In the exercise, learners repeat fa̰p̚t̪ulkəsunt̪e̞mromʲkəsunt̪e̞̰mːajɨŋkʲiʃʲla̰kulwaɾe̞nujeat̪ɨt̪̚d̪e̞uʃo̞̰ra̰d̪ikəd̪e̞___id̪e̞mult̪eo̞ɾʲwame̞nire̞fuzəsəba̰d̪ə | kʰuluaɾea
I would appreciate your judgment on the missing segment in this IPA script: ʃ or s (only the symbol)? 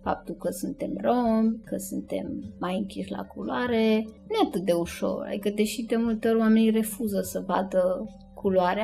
ʃ